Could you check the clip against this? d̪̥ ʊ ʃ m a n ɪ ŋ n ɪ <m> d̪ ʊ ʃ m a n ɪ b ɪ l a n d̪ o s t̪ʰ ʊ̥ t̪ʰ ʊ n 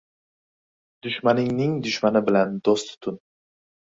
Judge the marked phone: incorrect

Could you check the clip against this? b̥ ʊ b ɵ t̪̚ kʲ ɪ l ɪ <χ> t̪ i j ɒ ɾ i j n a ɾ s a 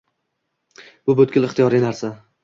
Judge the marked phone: correct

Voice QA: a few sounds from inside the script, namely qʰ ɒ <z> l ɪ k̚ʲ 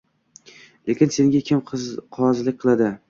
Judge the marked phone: correct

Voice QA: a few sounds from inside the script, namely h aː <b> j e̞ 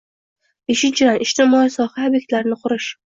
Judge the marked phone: correct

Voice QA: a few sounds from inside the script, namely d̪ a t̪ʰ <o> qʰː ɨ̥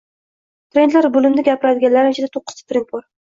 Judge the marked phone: correct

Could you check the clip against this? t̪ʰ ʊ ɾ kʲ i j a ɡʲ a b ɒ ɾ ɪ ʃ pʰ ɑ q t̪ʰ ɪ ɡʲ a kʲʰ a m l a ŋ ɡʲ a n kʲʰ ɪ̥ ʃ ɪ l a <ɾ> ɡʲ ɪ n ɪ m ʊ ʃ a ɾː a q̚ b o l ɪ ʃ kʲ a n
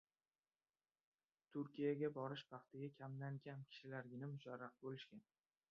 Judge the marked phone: correct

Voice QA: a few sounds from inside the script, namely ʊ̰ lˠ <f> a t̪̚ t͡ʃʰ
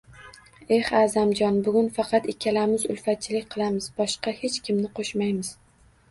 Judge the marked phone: correct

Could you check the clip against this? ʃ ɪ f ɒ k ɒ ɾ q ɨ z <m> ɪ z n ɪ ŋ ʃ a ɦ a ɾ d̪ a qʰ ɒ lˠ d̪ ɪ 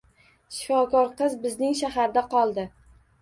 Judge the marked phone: incorrect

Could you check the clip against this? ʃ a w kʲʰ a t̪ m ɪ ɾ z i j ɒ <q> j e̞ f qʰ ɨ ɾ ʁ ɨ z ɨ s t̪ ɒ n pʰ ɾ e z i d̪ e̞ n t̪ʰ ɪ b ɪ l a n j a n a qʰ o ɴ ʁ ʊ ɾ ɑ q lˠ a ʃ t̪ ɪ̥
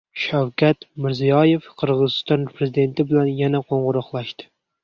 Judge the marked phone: incorrect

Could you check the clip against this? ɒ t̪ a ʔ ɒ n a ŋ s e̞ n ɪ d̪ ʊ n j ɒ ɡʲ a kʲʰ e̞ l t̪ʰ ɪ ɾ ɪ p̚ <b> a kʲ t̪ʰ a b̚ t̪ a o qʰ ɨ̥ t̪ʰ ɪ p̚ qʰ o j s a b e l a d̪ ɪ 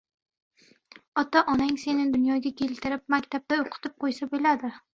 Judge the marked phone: incorrect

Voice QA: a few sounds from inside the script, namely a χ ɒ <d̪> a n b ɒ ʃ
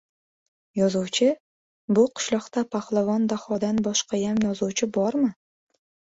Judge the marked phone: correct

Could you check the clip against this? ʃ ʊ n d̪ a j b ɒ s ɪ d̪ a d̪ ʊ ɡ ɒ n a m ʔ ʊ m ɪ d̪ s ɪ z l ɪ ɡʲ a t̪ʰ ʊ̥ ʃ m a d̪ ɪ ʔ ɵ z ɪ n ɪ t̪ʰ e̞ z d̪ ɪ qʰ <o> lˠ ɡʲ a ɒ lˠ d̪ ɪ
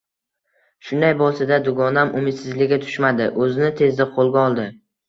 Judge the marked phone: correct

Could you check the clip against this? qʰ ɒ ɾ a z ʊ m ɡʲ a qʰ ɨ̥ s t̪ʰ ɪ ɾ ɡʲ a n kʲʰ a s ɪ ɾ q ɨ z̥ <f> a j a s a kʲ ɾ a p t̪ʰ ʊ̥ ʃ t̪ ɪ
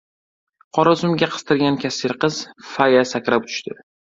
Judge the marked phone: correct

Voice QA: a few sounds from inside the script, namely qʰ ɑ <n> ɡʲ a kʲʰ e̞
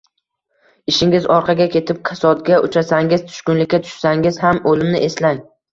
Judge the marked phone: incorrect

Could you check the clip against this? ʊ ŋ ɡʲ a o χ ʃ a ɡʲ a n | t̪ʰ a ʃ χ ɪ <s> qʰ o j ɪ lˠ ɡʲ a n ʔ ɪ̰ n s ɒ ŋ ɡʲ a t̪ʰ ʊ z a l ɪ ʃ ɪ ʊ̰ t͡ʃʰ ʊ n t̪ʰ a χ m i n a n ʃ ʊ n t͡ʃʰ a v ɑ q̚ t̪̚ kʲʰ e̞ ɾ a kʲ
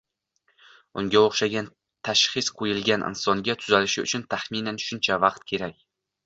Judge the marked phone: correct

